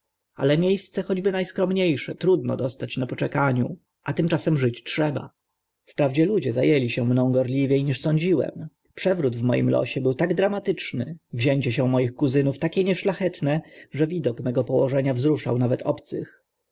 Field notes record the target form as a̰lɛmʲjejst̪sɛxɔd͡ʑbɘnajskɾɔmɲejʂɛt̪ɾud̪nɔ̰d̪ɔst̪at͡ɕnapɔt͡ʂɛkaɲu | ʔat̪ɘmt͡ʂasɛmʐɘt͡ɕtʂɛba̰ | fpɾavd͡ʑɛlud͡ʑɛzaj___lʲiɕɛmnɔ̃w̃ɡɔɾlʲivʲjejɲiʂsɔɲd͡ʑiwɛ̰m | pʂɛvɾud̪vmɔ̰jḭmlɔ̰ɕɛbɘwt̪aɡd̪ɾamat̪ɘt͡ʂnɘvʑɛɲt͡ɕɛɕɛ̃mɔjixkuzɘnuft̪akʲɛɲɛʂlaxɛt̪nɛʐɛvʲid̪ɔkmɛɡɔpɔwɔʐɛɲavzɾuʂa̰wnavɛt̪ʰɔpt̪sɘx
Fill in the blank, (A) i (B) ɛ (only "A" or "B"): B